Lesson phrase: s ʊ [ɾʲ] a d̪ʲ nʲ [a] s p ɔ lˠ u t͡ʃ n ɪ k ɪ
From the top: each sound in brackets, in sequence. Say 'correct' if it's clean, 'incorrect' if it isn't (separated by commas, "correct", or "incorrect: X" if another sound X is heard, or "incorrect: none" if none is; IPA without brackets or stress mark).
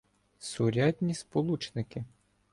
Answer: correct, incorrect: i